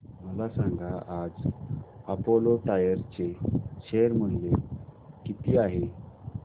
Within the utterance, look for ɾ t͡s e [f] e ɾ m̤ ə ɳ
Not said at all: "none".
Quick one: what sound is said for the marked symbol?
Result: ɕ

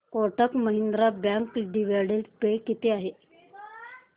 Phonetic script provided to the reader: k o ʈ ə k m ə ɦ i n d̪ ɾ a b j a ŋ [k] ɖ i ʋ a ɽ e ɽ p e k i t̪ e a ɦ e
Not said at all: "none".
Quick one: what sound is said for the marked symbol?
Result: k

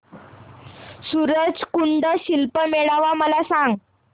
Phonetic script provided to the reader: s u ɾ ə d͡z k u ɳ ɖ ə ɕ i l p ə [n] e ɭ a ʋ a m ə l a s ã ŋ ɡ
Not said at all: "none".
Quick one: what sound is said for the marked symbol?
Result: m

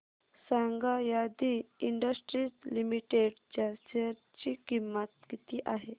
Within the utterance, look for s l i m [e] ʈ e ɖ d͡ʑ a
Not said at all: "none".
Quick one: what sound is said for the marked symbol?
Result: i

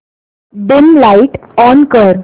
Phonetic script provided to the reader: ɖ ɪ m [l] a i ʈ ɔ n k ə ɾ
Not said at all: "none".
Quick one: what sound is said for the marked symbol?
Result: l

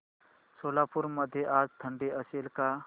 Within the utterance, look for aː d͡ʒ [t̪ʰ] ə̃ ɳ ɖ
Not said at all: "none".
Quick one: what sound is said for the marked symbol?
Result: t̪ʰ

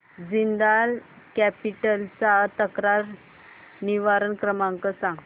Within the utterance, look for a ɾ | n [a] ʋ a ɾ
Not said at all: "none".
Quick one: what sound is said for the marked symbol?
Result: i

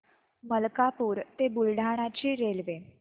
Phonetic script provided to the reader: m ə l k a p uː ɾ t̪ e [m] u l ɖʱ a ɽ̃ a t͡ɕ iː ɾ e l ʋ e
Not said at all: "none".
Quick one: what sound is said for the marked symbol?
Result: b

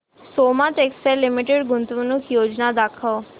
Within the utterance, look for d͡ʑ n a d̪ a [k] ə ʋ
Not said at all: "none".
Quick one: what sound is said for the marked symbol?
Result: kʰ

